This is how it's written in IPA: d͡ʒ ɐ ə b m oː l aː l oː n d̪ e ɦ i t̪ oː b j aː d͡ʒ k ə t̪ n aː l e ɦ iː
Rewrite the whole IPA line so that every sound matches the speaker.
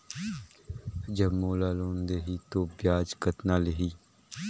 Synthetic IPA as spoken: d͡ʒ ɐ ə b m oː l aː l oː n d̪ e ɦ i t̪ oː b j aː d͡ʒ k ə t̪ n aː l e ɦ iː